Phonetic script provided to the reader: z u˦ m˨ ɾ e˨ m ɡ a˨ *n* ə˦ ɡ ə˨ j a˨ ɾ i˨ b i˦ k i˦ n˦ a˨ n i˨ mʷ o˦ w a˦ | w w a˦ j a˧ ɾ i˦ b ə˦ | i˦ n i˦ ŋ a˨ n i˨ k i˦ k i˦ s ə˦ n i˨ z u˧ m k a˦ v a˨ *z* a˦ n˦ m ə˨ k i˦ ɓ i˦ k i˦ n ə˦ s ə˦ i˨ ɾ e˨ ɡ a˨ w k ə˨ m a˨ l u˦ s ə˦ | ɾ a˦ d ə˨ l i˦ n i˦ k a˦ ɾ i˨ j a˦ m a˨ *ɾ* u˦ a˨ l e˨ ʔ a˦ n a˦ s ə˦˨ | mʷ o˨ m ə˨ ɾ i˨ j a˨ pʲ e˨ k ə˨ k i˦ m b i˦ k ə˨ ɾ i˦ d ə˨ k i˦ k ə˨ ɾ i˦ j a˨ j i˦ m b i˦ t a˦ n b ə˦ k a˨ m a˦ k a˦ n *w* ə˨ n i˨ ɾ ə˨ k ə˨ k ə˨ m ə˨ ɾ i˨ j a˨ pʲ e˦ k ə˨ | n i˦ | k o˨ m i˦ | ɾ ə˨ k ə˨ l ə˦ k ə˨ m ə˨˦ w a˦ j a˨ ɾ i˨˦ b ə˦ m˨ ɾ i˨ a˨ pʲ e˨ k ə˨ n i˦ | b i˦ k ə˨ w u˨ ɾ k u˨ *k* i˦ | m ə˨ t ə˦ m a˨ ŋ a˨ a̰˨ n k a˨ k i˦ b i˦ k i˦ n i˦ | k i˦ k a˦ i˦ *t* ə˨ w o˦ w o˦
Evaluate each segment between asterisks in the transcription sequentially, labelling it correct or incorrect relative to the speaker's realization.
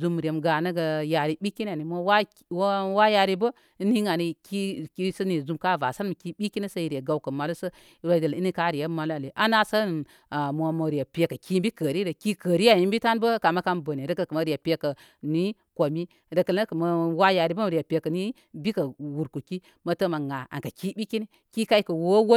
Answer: correct, incorrect: s, incorrect: l, incorrect: b, correct, incorrect: k

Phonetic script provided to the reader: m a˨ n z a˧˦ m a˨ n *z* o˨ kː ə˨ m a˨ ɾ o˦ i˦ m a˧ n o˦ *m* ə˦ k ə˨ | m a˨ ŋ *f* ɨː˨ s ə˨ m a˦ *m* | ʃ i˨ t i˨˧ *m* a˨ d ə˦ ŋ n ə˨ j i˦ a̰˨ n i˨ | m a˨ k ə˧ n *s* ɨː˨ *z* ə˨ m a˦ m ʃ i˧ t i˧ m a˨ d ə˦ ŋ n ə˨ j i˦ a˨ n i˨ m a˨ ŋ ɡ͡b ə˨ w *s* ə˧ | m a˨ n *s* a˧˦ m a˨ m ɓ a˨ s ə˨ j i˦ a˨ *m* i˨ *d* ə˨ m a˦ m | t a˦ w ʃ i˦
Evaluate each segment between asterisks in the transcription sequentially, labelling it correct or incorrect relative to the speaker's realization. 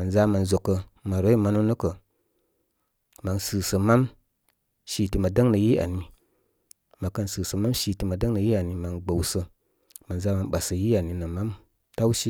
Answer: correct, incorrect: n, incorrect: s, correct, correct, correct, incorrect: s, correct, incorrect: z, incorrect: n, incorrect: n

